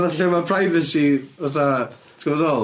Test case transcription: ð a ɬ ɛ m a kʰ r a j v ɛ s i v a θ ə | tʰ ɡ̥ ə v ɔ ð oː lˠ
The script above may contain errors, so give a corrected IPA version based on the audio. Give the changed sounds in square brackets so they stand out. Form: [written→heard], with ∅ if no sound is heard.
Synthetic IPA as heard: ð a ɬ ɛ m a [kʰ→pʰ] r a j v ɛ s i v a θ [ə→a] | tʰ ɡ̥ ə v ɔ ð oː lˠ